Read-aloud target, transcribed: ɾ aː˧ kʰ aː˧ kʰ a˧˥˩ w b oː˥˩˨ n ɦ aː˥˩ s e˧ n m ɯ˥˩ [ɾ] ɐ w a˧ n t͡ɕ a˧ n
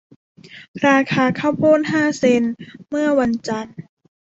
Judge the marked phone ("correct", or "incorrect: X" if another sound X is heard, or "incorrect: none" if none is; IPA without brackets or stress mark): incorrect: none